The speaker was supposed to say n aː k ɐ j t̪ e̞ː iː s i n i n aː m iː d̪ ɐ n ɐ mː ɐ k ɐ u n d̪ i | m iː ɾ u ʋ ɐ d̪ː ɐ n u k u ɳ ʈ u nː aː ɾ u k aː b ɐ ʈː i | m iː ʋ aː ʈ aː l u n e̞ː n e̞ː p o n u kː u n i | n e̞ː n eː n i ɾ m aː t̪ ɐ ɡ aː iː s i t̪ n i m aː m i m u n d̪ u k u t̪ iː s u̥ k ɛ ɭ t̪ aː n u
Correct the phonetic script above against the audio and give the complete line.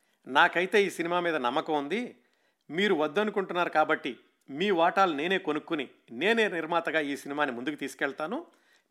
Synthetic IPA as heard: n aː k ɐ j t̪ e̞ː iː s i n i m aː m iː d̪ ɐ n ɐ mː ɐ k ɐ u n d̪ i | m iː ɾ u ʋ ɐ d̪ː ɐ n u k u ɳ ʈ u nː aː ɾ u k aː b ɐ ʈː i | m iː ʋ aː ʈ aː l u n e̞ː n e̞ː k o n u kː u n i | n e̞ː n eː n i ɾ m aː t̪ ɐ ɡ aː iː s i n i m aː n i m u n d̪ u k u t̪ iː s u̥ k ɛ ɭ t̪ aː n u